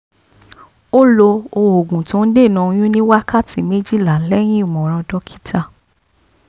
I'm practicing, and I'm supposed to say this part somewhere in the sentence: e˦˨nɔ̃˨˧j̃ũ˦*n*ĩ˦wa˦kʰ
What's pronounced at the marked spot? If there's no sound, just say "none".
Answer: n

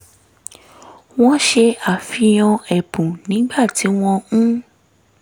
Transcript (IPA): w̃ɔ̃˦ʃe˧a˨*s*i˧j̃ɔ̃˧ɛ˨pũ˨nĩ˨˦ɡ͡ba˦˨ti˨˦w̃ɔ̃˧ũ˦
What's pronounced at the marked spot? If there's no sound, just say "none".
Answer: f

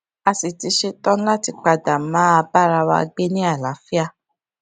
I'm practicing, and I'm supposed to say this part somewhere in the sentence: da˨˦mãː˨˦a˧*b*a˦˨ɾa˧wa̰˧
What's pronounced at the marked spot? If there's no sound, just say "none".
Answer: b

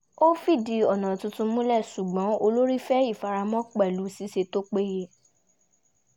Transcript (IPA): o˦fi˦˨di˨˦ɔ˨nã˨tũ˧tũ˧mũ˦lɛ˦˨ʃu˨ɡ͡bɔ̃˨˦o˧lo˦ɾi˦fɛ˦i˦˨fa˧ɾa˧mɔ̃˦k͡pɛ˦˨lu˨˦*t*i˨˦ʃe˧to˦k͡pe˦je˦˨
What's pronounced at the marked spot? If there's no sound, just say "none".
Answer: s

